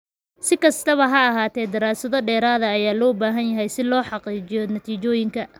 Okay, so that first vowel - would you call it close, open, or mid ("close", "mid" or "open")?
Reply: close